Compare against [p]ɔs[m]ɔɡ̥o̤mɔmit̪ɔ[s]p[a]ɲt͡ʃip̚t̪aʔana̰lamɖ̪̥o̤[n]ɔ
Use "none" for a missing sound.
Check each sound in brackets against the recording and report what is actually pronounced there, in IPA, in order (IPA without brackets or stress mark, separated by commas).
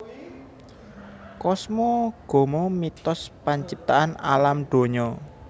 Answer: k, m, s, a, ɲ